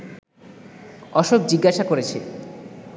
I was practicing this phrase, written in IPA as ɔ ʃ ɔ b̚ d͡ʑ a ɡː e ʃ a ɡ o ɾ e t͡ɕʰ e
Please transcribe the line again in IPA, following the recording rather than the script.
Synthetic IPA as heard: ɔ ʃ o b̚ d͡ʑ i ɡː a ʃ a k o ɾ e t͡ɕʰ e